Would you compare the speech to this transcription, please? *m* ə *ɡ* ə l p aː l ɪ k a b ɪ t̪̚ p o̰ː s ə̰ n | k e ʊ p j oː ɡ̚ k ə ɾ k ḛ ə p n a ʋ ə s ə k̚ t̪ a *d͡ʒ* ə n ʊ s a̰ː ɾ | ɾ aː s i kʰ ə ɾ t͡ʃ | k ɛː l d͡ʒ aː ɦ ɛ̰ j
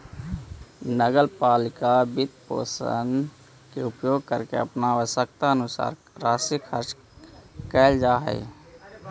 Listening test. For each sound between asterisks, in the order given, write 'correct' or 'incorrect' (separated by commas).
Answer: incorrect, correct, incorrect